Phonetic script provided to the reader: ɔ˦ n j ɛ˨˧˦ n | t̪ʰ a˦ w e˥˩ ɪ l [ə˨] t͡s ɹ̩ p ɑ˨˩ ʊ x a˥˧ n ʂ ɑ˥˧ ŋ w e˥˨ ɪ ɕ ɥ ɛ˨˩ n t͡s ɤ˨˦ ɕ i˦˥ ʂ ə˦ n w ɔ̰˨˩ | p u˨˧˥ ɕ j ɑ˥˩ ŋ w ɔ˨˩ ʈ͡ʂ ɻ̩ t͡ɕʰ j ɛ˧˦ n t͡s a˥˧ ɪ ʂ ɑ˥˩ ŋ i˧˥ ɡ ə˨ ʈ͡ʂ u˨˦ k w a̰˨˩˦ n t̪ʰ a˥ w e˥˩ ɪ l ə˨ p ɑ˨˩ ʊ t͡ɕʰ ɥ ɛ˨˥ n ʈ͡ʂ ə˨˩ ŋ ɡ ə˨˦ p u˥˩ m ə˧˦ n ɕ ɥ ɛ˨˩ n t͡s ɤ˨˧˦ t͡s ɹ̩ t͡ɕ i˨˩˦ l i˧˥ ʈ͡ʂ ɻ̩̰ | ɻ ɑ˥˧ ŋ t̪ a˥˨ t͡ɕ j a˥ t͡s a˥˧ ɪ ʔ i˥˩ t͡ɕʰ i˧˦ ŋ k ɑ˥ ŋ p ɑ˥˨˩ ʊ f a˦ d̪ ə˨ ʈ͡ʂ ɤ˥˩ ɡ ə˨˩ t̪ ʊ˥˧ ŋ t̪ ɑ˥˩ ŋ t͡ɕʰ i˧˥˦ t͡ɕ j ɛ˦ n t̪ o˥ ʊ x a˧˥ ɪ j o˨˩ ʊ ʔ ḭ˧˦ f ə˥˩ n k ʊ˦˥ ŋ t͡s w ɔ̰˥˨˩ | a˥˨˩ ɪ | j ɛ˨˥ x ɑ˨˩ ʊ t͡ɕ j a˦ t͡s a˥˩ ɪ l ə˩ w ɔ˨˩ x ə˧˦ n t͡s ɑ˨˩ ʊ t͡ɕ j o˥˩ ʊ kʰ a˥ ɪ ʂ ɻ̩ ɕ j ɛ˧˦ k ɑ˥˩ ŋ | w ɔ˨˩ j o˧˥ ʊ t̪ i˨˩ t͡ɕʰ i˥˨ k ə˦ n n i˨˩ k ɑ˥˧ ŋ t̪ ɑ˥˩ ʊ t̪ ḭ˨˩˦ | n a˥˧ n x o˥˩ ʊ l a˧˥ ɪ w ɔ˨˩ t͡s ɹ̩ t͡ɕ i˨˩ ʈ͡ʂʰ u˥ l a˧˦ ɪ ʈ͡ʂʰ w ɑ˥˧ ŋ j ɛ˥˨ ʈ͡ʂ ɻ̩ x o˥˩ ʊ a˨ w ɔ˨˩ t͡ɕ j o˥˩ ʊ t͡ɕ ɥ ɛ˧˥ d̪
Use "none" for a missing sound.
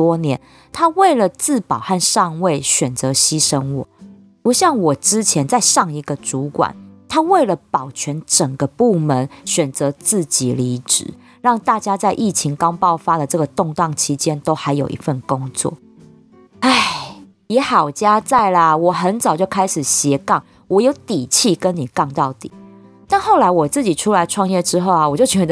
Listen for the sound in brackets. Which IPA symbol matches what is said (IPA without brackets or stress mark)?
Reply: ə˨